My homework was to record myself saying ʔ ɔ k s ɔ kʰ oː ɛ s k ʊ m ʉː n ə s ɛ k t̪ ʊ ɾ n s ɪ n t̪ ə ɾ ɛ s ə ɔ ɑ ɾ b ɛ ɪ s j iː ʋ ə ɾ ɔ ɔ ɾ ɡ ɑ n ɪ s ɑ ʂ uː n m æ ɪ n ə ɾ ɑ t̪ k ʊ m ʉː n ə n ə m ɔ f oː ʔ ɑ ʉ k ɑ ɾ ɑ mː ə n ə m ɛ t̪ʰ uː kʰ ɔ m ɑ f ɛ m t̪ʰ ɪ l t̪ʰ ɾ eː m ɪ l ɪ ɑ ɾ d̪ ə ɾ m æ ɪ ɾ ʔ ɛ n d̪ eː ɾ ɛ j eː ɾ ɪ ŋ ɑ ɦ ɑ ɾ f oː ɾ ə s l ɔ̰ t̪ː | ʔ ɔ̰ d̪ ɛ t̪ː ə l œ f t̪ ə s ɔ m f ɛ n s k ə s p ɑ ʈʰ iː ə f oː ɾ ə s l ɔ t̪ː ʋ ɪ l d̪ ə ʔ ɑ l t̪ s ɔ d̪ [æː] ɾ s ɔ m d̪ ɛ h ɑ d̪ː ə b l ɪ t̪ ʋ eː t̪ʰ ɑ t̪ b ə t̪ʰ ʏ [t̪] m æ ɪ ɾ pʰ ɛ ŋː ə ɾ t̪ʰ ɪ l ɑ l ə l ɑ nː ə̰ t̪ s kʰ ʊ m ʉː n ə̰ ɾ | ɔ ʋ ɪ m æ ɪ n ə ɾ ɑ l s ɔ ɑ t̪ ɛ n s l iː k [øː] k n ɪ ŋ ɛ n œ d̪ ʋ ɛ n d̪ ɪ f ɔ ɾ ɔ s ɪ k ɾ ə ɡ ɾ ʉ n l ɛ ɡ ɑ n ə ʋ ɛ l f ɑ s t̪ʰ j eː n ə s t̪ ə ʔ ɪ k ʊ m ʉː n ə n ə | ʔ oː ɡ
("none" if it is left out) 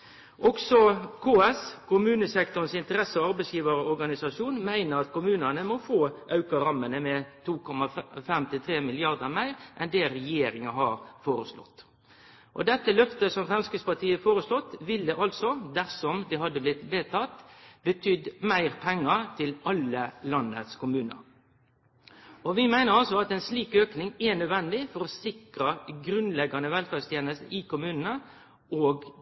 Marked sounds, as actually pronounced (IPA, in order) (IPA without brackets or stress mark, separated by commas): æ, d̪, øː